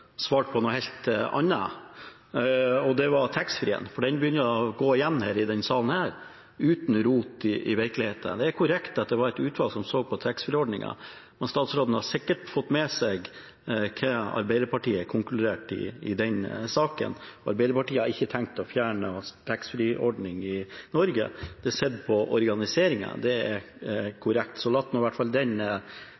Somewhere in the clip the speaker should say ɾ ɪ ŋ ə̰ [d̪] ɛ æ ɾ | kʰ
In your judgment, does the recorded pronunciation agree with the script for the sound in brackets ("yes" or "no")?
yes